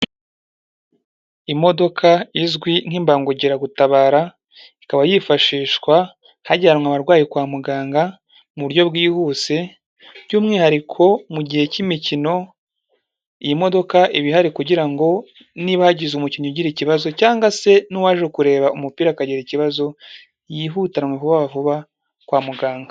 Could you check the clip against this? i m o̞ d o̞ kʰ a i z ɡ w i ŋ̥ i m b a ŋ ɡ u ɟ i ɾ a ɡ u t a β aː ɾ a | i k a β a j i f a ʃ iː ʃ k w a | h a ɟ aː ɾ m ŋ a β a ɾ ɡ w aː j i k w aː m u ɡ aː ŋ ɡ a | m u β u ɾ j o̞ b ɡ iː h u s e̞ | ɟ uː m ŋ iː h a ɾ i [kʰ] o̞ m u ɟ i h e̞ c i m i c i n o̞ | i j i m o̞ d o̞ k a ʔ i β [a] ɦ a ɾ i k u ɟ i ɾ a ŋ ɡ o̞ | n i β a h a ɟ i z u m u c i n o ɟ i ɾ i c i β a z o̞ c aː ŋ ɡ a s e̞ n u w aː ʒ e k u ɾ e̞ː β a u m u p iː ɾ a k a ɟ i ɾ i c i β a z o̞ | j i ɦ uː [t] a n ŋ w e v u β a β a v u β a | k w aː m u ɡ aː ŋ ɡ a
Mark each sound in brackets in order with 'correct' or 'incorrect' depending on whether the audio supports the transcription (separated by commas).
correct, incorrect, correct